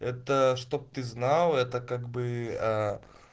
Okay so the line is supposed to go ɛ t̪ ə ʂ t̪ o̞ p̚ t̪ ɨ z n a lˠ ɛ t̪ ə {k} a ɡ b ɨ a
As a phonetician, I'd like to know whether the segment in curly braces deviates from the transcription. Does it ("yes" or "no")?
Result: no